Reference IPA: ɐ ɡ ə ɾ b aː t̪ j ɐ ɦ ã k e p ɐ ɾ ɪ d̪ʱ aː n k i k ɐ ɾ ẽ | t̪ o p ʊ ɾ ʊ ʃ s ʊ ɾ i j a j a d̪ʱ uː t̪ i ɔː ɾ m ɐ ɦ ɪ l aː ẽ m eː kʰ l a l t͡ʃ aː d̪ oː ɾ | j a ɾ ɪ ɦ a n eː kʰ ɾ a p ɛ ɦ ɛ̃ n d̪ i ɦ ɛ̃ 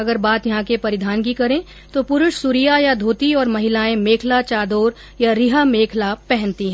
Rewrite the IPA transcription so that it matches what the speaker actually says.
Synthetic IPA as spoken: ɐ ɡ ə ɾ b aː t̪ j ɐ ɦ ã k e p ɐ ɾ ɪ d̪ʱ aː n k i k ɐ ɾ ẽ | t̪ o p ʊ ɾ ʊ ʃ s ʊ ɾ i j a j a d̪ʱ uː t̪ i ɔː ɾ m ɐ ɦ ɪ l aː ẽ m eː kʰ l a t͡ʃ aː d̪ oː ɾ | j a ɾ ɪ ɦ a m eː kʰ l a p ɛ ɦ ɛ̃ n t̪ i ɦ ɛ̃